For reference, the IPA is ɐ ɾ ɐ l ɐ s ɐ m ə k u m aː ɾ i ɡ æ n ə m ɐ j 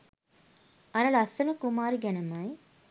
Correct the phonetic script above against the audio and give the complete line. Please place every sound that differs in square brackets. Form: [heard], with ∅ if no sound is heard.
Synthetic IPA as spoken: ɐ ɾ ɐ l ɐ s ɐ [n] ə k u m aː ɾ i ɡ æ n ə m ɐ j